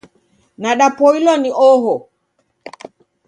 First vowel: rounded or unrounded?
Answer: unrounded